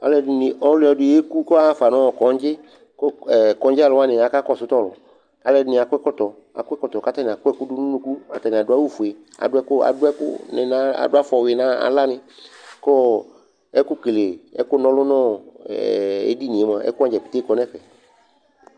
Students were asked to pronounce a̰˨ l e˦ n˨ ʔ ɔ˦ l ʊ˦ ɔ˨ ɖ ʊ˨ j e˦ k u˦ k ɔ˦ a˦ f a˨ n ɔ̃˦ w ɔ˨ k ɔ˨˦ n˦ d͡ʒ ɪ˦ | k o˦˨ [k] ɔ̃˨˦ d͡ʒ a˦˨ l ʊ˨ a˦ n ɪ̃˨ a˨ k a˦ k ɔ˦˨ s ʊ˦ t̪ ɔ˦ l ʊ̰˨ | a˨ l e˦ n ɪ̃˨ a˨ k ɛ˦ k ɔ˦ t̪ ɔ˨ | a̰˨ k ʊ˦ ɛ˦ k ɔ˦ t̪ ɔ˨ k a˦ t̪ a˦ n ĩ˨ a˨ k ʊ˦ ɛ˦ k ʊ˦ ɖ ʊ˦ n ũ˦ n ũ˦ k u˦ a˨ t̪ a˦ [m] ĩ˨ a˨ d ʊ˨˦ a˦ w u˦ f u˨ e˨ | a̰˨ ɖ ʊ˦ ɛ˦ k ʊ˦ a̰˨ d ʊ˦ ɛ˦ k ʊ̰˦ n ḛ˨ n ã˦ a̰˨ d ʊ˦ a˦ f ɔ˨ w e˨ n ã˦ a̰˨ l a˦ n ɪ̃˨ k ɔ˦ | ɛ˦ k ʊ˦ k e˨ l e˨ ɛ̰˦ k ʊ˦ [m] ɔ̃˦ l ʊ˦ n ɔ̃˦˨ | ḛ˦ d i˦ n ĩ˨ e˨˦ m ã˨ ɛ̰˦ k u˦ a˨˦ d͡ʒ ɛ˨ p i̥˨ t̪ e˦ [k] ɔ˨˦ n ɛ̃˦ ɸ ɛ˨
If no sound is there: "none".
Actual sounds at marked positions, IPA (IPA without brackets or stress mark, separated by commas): k, n, n, k